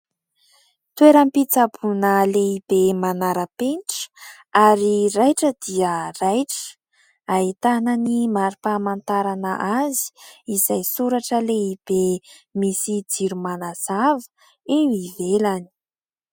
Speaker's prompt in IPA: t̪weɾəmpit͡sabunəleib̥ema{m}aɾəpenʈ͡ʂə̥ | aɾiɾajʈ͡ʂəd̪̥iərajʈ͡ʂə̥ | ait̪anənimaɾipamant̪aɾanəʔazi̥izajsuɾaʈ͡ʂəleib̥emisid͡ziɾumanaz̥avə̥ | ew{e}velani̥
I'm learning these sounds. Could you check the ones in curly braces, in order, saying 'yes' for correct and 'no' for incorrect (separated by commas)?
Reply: no, no